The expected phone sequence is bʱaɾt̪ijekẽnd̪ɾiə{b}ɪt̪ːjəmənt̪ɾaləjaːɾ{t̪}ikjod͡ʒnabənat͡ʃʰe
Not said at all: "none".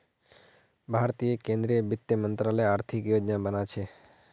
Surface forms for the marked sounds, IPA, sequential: b, t̪ʰ

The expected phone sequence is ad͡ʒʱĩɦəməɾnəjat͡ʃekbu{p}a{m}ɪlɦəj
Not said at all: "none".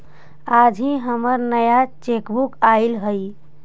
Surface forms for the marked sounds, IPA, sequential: k, none

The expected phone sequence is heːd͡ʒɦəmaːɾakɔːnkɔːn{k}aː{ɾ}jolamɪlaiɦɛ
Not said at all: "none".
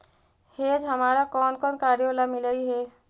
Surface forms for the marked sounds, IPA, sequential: k, ɾ

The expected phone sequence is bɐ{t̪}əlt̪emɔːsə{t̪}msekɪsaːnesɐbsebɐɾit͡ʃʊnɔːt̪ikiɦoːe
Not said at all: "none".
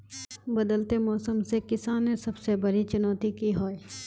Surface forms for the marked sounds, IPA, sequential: d̪, none

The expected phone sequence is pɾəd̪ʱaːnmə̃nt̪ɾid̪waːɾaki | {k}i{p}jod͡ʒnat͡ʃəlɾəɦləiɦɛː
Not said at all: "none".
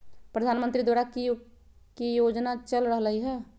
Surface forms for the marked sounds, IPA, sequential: k, none

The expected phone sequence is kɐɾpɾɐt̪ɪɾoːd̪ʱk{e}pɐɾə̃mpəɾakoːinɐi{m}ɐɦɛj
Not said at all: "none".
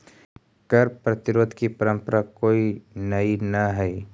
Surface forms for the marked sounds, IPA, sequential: i, n

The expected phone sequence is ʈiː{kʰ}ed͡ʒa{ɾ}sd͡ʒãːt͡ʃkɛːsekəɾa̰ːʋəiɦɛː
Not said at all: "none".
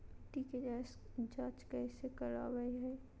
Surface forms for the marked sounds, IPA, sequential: k, none

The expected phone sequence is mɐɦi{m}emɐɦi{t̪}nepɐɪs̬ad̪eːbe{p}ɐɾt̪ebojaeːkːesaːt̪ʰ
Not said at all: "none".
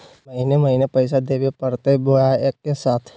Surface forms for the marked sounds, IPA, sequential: n, none, p

